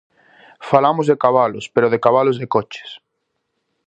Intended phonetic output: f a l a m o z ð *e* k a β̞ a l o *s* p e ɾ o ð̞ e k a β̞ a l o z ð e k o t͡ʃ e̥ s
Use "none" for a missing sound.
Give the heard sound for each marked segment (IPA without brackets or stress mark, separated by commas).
e, s